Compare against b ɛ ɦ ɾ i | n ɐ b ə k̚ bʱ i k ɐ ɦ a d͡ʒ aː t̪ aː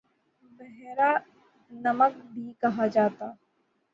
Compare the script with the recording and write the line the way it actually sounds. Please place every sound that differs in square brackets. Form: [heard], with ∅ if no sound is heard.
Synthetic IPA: b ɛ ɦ ɾ [a] | n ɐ [m] ə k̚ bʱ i k ɐ ɦ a d͡ʒ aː t̪ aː